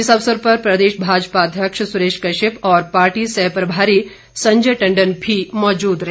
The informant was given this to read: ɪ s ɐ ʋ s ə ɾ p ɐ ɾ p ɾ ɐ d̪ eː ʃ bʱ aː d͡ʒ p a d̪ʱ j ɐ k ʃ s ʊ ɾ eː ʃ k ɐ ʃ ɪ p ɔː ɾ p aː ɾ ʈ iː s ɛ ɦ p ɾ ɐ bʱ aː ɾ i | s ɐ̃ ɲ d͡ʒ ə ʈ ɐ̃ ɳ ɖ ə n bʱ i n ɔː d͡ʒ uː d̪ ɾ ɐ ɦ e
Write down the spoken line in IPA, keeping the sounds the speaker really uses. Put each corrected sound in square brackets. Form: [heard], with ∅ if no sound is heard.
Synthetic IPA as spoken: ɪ s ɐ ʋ s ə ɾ p ɐ ɾ p ɾ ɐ d̪ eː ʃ bʱ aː d͡ʒ p a d̪ʱ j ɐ k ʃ s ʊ ɾ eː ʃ k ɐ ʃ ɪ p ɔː ɾ p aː ɾ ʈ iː s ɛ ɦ p ɾ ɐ bʱ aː ɾ i | s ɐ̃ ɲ d͡ʒ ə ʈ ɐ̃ ɳ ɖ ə n bʱ i [m] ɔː d͡ʒ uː d̪ ɾ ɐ ɦ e